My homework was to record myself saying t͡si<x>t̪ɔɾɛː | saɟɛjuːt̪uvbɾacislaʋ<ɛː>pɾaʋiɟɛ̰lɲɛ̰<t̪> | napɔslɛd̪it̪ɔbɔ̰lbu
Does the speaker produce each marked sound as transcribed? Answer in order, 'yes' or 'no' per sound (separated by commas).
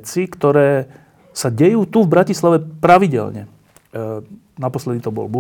no, no, no